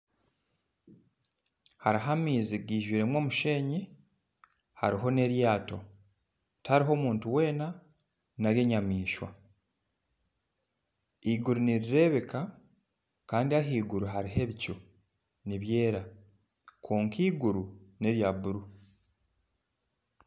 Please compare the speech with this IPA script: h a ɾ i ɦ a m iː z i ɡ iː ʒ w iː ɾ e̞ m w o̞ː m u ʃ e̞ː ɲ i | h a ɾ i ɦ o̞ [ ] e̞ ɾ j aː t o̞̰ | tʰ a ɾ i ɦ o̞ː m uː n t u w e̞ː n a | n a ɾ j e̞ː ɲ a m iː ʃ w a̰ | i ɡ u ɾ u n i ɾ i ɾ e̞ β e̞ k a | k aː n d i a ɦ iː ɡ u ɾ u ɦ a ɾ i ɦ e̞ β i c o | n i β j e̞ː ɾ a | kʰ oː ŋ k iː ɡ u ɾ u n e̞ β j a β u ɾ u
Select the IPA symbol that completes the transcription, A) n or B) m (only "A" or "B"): A